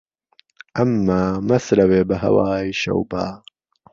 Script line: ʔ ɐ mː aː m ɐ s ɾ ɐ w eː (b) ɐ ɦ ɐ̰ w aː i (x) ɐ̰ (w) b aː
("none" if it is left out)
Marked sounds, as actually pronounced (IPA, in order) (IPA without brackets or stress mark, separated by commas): b, ʃ, w